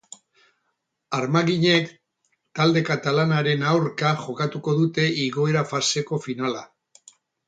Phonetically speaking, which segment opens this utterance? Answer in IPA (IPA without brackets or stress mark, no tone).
a